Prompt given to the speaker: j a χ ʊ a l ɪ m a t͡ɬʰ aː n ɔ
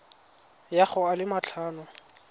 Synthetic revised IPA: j a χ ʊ a l ɪ m a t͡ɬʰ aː n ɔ